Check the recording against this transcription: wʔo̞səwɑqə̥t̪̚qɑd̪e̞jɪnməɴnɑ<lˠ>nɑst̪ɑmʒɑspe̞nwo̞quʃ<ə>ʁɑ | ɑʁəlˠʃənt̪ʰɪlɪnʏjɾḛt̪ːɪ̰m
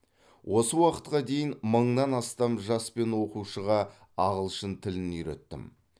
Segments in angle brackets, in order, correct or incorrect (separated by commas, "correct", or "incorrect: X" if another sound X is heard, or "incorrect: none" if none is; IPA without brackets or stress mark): incorrect: none, correct